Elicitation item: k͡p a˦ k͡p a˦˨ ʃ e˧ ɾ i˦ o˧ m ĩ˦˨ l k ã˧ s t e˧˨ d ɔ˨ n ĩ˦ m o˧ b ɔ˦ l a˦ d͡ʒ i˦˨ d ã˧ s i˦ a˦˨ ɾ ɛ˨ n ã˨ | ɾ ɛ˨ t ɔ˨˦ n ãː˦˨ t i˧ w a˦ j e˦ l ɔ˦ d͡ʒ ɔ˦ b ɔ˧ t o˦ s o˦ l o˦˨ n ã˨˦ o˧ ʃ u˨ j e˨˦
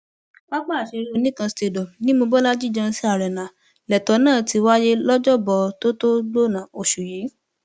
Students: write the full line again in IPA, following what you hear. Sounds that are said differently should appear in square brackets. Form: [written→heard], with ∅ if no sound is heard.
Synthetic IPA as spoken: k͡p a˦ k͡p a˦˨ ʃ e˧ ɾ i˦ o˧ [m→n] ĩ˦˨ [l→∅] k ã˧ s t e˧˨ d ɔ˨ n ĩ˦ m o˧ b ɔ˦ l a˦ d͡ʒ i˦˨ [d→d͡ʒ] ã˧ s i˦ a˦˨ ɾ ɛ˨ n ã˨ | [ɾ→l] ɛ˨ t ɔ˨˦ n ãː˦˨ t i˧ w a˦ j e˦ l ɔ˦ d͡ʒ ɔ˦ b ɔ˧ t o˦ [s→t] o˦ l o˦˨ n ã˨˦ o˧ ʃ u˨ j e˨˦